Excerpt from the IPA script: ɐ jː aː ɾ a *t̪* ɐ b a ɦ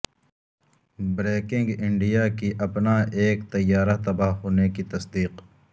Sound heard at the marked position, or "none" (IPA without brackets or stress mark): t̪